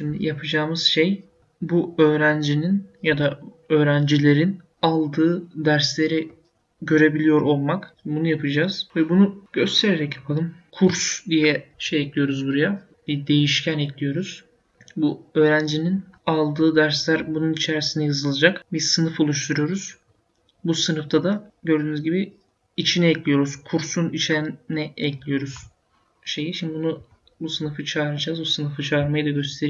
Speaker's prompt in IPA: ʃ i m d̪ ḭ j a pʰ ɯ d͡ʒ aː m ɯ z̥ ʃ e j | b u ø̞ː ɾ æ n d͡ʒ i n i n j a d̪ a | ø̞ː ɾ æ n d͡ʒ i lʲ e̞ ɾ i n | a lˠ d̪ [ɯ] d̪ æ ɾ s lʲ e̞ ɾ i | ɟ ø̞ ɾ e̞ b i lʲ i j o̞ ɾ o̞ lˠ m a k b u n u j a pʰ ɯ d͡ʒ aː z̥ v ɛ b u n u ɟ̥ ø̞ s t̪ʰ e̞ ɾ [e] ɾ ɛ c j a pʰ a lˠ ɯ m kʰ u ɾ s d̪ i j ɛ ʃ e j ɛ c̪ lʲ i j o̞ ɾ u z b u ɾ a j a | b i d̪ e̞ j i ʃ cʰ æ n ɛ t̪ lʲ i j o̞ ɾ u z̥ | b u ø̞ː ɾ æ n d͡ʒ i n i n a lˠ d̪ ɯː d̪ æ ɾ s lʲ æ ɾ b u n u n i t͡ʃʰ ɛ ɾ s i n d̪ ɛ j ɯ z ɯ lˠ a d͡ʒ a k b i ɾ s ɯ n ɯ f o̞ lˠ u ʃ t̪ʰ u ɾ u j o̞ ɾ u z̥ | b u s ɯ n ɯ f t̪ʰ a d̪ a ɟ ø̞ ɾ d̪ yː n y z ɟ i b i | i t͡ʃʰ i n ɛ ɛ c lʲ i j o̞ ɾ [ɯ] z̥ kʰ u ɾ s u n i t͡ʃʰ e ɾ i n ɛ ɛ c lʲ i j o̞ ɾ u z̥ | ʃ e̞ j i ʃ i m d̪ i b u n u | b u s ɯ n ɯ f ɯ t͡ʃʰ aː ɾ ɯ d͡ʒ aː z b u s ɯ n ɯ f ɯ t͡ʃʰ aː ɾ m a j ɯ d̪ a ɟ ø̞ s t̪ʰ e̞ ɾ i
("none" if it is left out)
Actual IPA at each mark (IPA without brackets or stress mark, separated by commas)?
ɯː, e, u